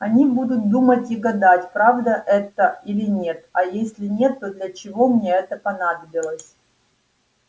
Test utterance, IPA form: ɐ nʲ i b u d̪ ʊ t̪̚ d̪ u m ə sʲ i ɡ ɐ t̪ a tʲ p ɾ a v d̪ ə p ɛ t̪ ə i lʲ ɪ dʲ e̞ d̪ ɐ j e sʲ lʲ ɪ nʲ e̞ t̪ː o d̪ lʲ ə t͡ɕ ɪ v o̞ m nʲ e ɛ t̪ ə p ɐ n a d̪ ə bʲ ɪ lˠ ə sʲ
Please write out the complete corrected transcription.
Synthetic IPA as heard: ɐ nʲ i b u d̪ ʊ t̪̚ d̪ u m ə tʲ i ɡ ɐ d̪ a tʲ p ɾ a v d̪ ə ʔ ɛ t̪ ə i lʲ ɪ nʲ e̞ t̪ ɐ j e sʲ lʲ ɪ nʲ e̞ t̪ː o d̪ lʲ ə t͡ɕ ɪ v o̞ m nʲ e ɛ t̪ ə p ɐ n a d̪ ə bʲ ɪ lˠ ə sʲ